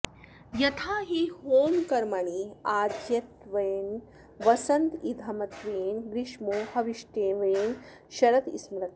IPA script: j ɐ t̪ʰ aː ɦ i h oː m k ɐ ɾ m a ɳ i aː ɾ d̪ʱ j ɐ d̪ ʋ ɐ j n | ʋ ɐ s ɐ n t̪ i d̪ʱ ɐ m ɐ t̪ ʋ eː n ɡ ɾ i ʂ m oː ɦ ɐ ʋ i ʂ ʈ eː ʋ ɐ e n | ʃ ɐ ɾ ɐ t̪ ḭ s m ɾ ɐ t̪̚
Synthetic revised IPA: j ɐ t̪ʰ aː ɦ i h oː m k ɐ ɾ m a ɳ i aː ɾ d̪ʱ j ɐ t̪ ʋ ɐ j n | ʋ ɐ s ɐ n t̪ i d̪ʱ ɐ m ɐ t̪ ʋ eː n ɡ ɾ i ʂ m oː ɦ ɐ ʋ i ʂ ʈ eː ʋ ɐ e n | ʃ ɐ ɾ ɐ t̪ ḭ s m ɾ ɐ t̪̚